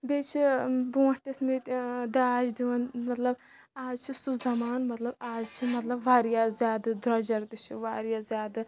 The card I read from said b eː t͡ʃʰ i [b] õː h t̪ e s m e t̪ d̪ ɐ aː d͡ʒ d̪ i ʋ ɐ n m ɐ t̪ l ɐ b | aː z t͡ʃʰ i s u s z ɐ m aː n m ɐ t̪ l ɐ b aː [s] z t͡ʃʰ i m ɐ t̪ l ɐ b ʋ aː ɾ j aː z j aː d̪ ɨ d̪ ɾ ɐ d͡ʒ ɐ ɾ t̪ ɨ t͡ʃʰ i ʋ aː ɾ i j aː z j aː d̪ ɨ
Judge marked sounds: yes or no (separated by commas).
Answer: yes, no